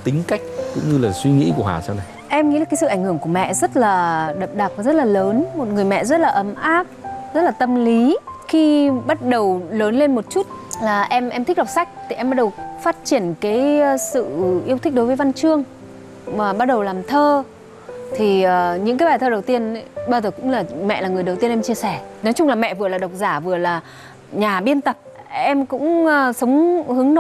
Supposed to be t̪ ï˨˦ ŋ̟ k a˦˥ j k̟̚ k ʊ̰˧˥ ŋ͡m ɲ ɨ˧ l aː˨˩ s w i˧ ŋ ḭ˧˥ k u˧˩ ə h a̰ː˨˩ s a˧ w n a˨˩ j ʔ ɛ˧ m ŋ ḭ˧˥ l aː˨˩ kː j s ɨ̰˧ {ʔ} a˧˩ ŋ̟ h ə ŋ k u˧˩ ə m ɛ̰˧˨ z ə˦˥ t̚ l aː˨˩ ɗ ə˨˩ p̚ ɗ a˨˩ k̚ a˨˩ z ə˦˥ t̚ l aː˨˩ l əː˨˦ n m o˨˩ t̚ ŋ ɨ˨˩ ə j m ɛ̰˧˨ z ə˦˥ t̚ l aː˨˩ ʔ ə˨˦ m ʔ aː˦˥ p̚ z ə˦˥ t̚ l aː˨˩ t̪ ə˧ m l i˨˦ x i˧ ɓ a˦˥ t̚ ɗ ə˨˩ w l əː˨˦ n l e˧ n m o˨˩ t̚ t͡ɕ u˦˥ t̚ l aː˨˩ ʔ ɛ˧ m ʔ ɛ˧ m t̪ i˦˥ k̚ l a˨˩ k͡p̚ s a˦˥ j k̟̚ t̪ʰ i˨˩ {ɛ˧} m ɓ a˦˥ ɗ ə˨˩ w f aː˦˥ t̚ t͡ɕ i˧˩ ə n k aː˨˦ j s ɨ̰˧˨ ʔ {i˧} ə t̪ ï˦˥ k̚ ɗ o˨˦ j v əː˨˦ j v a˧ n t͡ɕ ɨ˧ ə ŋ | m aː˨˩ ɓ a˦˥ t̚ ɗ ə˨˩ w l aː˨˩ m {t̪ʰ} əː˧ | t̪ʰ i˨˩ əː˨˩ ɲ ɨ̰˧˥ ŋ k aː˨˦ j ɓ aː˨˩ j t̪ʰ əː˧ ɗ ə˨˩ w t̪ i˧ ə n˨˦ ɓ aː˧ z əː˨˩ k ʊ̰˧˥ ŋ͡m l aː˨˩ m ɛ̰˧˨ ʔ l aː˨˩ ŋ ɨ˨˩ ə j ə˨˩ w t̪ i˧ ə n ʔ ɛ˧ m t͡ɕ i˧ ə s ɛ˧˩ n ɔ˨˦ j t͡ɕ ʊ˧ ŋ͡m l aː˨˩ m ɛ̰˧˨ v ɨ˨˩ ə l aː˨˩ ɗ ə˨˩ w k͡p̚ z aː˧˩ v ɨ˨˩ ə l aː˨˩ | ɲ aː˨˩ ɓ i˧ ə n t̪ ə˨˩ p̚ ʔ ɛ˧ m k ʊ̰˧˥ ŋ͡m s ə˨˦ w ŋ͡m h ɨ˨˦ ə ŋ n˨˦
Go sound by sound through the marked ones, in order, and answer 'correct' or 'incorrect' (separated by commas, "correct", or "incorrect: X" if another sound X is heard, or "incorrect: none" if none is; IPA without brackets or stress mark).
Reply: correct, correct, correct, correct